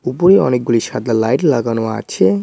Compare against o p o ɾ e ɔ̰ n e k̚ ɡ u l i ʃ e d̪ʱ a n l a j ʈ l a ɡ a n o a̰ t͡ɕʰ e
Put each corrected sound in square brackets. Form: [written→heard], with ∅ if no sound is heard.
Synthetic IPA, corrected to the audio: [o→u] p o ɾ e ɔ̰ n e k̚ ɡ u l i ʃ [e→a] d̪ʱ a [n→∅] l a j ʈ l a ɡ a n o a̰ t͡ɕʰ e